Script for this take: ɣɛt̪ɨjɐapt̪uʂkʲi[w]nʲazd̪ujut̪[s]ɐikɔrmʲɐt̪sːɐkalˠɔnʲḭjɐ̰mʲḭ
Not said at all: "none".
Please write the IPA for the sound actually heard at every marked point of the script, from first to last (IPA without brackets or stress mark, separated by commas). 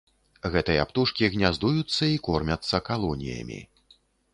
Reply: ɣ, sː